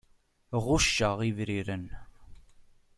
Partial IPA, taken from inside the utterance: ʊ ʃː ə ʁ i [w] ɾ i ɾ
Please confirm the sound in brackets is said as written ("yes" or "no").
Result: no